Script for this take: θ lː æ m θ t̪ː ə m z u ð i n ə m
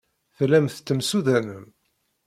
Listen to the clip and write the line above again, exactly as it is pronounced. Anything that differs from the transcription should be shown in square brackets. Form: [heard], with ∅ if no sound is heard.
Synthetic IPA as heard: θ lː æ m θ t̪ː ə m [s] u ð [æ] n ə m